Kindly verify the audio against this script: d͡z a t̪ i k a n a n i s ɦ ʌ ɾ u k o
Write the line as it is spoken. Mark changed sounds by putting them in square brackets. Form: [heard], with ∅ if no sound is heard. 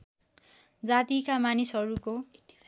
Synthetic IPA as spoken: d͡z a t̪ i k a [m] a n i s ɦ ʌ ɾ u k o